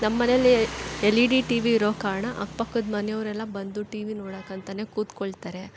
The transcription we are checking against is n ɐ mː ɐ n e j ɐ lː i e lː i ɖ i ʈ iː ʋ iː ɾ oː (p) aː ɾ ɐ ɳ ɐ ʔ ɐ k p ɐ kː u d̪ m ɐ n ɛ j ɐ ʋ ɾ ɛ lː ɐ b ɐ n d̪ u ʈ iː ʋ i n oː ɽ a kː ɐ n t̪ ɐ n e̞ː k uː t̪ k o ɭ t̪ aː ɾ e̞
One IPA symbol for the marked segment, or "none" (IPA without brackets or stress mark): k